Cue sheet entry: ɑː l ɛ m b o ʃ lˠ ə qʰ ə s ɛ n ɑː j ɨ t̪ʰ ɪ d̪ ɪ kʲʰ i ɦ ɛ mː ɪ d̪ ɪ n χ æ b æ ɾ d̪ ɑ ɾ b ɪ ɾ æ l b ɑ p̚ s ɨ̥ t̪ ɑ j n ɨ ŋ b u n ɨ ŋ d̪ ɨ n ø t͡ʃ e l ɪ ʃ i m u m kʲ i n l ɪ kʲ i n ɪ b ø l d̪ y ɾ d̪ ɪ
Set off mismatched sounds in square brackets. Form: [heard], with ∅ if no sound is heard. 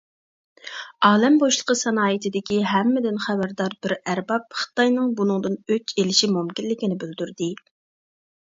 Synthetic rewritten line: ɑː l ɛ m b o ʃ lˠ ə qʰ ə s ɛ n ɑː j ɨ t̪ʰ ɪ d̪ ɪ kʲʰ i ɦ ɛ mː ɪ d̪ ɪ n χ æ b æ ɾ d̪ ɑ ɾ b ɪ ɾ æ [ɾ] b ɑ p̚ [χ] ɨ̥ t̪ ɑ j n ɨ ŋ b u n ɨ ŋ d̪ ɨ n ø t͡ʃ e l ɪ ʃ i m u m kʲ i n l ɪ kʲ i n ɪ b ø l d̪ y ɾ d̪ ɪ